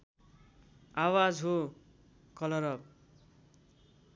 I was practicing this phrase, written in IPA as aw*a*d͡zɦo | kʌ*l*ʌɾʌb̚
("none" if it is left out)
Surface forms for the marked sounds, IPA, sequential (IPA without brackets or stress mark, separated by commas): a, l